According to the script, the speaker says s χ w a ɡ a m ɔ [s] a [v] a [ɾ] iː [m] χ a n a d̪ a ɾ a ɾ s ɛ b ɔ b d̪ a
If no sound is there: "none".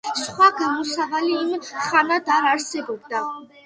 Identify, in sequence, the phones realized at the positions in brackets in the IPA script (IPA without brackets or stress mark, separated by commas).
s, v, l, m